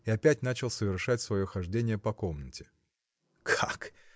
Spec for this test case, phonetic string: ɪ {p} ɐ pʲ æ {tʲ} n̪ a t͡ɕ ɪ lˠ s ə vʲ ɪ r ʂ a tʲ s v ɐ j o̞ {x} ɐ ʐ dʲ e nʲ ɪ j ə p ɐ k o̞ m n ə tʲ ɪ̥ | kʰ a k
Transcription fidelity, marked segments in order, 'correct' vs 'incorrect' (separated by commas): incorrect, correct, correct